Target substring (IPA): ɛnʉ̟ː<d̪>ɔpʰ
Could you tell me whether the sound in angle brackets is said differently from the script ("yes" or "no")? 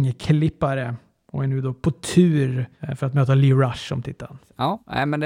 no